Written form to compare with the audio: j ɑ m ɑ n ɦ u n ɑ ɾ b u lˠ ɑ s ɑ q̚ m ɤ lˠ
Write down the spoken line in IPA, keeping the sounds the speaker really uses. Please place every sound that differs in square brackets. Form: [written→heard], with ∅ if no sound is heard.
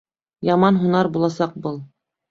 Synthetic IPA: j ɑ m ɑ n ɦ u n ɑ ɾ b u lˠ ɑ s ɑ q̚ [m→b] ɤ lˠ